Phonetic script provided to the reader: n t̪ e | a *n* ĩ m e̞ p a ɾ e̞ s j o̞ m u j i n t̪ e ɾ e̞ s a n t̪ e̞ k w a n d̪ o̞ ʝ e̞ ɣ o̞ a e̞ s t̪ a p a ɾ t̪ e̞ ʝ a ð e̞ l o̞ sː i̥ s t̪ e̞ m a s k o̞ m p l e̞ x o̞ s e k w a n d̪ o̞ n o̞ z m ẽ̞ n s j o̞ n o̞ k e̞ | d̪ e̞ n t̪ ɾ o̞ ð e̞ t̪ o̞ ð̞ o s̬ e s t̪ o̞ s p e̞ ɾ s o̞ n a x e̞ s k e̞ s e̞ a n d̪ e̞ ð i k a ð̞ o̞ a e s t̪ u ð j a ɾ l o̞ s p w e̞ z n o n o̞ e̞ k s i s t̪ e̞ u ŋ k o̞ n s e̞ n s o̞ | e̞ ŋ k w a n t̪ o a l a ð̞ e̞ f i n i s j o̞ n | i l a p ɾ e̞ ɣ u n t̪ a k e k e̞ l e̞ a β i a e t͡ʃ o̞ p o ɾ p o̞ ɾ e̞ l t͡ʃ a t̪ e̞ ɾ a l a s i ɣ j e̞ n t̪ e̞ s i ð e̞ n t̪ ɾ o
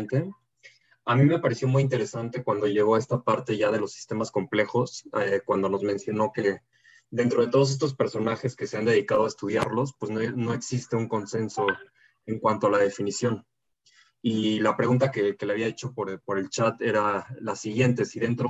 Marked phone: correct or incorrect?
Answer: incorrect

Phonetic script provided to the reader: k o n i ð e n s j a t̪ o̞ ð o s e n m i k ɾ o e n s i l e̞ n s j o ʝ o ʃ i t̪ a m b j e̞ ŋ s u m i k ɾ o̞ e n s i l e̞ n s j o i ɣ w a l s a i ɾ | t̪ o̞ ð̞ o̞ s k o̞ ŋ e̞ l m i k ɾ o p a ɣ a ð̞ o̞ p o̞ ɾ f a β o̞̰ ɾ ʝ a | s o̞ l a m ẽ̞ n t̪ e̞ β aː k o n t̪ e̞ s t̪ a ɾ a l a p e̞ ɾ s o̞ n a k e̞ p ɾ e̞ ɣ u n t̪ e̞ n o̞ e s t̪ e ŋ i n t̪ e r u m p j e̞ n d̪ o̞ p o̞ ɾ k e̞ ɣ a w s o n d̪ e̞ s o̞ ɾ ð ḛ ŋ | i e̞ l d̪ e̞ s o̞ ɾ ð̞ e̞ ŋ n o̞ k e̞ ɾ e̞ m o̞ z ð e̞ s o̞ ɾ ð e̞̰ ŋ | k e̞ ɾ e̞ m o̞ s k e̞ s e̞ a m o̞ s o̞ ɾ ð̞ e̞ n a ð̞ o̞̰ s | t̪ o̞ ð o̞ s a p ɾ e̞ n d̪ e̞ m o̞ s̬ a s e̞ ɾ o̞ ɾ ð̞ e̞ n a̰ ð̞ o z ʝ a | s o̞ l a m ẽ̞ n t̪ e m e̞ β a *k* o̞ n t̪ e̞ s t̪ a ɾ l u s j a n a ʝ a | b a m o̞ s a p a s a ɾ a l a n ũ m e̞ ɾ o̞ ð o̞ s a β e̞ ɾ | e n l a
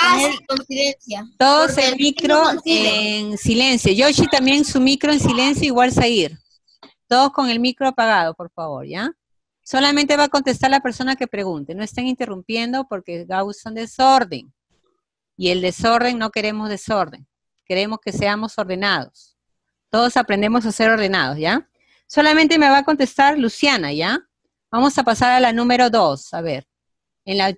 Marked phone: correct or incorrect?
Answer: correct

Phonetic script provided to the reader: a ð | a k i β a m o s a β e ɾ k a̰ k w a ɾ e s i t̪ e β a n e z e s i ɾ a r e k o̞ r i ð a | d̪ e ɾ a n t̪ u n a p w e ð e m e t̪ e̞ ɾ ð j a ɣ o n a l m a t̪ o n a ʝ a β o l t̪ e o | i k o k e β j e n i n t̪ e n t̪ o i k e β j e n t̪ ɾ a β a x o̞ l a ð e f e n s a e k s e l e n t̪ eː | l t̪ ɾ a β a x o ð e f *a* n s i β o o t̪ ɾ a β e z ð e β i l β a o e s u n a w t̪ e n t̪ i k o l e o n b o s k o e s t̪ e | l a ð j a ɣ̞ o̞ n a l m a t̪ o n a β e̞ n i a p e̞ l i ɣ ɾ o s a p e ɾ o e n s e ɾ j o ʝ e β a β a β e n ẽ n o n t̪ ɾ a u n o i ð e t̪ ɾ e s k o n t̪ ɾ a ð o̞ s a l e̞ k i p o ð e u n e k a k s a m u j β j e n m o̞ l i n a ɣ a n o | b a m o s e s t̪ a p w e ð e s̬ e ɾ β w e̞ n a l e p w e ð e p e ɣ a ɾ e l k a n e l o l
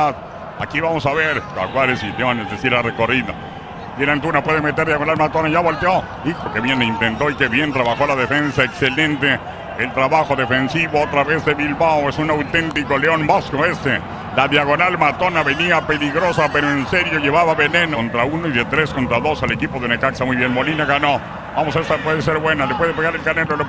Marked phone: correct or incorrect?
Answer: incorrect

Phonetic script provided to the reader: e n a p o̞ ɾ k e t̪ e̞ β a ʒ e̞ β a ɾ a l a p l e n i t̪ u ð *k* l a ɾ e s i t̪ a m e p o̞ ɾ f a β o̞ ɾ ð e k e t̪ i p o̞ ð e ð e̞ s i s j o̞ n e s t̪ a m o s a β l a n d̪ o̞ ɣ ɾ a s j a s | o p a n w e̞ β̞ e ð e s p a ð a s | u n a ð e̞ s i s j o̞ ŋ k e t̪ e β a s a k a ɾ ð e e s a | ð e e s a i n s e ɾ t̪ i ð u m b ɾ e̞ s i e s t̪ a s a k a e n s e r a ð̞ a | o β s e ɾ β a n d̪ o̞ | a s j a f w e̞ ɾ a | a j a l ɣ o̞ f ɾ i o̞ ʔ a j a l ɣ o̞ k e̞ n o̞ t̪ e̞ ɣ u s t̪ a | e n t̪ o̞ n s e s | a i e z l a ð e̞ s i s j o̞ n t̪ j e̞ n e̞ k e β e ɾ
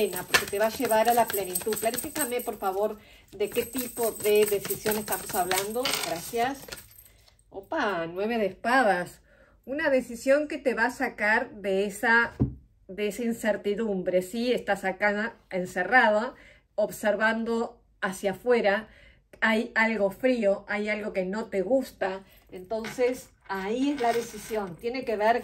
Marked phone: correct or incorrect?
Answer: correct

